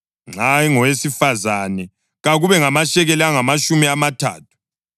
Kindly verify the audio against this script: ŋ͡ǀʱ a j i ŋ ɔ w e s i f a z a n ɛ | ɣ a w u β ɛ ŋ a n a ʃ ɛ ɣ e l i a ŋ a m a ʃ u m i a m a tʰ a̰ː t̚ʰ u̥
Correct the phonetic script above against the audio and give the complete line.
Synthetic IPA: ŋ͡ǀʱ a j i ŋ ɔ w e s i f a z a n ɛ | ɣ a ɣ u β ɛ ŋ a m a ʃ ɛ ɣ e l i a ŋ a m a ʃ u m i a m a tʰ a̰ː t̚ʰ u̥